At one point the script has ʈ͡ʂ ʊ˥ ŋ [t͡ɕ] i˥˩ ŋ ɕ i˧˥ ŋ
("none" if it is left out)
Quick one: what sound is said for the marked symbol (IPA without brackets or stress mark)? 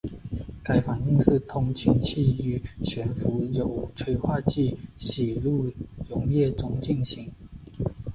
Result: t͡ɕ